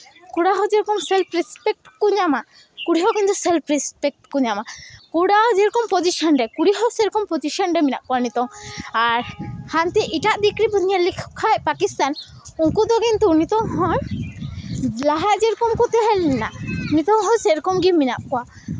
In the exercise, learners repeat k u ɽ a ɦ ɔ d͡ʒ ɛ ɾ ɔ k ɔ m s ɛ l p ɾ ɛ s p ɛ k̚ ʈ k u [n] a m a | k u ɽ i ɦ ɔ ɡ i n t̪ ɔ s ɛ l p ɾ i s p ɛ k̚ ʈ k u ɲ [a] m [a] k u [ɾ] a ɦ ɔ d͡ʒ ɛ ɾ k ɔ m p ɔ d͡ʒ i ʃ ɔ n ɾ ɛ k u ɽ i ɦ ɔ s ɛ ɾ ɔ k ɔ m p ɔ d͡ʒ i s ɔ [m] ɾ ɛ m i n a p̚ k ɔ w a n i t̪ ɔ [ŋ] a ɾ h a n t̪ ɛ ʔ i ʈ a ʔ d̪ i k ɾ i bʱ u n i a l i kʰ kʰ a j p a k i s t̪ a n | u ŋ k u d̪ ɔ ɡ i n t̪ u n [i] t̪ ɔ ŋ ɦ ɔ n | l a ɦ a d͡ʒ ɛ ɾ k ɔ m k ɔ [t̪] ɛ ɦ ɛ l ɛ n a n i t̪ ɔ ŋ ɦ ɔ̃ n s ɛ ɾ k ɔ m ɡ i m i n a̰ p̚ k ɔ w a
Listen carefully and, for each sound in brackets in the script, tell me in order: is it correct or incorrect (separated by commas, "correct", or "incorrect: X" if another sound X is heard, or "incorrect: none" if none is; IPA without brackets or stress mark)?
incorrect: ɲ, correct, correct, incorrect: ɽ, incorrect: n, correct, correct, correct